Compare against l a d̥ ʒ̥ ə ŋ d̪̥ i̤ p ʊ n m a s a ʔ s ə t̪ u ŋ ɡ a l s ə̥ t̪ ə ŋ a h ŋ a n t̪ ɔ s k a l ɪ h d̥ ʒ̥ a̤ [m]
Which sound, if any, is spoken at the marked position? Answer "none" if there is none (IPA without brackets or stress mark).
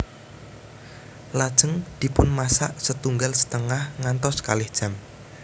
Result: m